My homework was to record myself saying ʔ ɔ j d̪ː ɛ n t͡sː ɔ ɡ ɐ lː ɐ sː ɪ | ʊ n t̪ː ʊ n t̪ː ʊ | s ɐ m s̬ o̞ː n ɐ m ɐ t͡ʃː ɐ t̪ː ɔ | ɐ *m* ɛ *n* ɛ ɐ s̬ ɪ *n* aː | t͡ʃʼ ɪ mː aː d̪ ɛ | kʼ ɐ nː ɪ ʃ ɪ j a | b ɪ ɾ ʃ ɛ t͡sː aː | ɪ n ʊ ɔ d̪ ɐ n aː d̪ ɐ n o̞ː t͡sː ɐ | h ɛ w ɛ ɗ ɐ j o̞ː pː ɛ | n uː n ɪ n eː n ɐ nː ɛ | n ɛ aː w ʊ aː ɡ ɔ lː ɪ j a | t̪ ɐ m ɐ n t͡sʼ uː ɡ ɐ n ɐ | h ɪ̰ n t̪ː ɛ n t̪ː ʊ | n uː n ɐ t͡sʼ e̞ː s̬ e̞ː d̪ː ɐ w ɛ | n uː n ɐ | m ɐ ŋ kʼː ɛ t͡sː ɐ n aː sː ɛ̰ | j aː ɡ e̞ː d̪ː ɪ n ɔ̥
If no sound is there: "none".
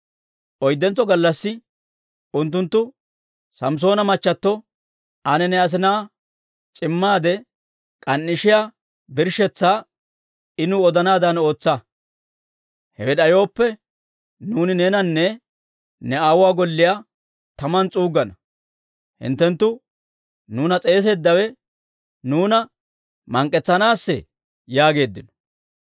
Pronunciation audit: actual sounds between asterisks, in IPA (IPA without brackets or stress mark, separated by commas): n, n, n